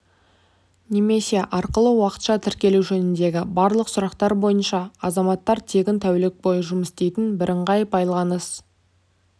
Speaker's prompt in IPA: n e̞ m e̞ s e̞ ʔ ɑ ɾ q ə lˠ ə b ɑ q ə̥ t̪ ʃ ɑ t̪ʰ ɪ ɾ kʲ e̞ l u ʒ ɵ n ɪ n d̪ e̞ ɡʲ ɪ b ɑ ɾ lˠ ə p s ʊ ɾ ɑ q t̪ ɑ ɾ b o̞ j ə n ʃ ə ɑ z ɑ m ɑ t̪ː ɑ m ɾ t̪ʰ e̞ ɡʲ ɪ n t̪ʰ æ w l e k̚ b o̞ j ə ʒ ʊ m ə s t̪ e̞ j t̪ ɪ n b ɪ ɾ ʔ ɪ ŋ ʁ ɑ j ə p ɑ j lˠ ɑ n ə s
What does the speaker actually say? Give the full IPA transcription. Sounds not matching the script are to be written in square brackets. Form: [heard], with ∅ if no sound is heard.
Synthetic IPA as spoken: n e̞ m e̞ s e̞ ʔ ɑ ɾ q ə lˠ ə [w] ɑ q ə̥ t̪ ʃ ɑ t̪ʰ ɪ ɾ kʲ e̞ l u ʒ ɵ n ɪ n d̪ e̞ ɡʲ ɪ b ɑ ɾ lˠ ə [q] s ʊ ɾ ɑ q t̪ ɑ ɾ b o̞ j ə n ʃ [ɑ] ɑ z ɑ m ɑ t̪ː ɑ [∅] ɾ t̪ʰ e̞ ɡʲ ɪ n t̪ʰ æ w l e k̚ b o̞ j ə ʒ ʊ m ə s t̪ e̞ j t̪ ɪ n b ɪ ɾ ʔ ɪ [ɴ] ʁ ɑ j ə p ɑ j lˠ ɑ n ə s